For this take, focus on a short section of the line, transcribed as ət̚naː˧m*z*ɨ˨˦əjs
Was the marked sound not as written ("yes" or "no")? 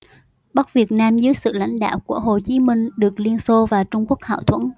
no